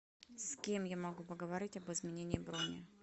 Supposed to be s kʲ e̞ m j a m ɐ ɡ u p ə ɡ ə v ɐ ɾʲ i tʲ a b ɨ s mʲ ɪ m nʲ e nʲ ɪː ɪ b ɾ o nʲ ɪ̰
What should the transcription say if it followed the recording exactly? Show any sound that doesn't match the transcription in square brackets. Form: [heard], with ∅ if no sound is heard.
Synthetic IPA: s kʲ e̞ m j a m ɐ ɡ u p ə ɡ ə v ɐ ɾʲ i tʲ [ɐ] b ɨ [z] mʲ ɪ [∅] nʲ e nʲ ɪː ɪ b ɾ o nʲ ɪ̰